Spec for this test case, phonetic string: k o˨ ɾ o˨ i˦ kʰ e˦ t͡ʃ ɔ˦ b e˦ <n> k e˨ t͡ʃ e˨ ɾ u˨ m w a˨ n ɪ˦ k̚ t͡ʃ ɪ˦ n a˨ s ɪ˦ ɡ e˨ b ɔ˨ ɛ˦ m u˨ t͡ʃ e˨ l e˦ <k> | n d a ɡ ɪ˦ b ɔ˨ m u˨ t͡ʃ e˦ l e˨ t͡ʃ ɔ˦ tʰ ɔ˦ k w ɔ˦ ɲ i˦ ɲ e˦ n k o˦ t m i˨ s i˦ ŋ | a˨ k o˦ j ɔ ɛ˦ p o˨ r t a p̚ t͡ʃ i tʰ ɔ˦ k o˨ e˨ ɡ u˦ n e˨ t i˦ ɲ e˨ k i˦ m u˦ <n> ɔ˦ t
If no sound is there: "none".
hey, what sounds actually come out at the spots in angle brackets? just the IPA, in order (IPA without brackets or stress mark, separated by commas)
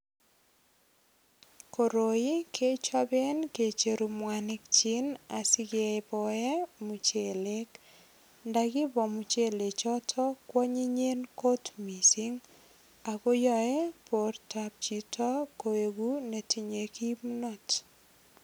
n, k, n